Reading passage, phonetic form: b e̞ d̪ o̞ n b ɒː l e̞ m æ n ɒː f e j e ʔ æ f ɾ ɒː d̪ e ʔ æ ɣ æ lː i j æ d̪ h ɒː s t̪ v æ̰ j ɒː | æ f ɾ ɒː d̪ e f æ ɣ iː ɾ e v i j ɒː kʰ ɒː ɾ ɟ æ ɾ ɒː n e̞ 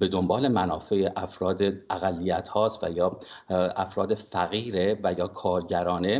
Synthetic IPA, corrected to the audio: b e̞ d̪ o̞ m b ɒː l e̞ m æ n ɒː f e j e ʔ æ f ɾ ɒː d̪ e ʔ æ ɣ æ lː i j æ t̪ h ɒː s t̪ v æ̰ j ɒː | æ f ɾ ɒː d̪ e f æ ɣ iː ɾ e v æ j ɒː kʰ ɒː ɾ ɟ æ ɾ ɒː n e̞